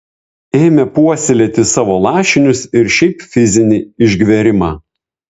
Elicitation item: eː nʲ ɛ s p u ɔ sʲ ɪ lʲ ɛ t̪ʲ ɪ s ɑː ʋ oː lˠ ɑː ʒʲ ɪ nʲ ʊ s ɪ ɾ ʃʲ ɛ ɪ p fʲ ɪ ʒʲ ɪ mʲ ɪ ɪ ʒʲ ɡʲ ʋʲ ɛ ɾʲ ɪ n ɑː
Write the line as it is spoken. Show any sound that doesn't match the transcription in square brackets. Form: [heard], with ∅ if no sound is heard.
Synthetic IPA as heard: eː [mʲ] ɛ [∅] p u ɔ sʲ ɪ lʲ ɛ t̪ʲ ɪ s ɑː ʋ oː lˠ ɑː [ʃʲ] ɪ nʲ ʊ s ɪ ɾ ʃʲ ɛ ɪ p fʲ ɪ [zʲ] ɪ [nʲ] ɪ ɪ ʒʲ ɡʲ ʋʲ ɛ ɾʲ ɪ [m] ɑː